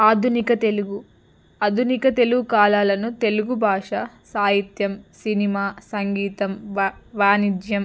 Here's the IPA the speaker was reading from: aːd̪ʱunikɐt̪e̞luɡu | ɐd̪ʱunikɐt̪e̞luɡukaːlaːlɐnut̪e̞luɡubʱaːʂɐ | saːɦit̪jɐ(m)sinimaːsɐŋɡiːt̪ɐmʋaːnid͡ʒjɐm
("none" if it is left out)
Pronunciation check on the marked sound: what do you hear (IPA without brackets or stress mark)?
m